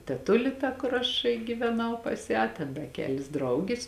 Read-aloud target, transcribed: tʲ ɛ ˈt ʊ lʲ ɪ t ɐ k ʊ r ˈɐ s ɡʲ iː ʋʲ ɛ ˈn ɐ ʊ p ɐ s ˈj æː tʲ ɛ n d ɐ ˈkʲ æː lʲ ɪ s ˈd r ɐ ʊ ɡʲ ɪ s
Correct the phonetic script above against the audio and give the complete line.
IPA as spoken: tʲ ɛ ˈt ʊ lʲ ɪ t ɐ k ʊ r ˈɐ ʃ ɡʲ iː ʋʲ ɛ ˈn ɐ ʊ p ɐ s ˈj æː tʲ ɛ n d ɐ ˈkʲ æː lʲ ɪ s ˈd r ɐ ʊ ɡʲ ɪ s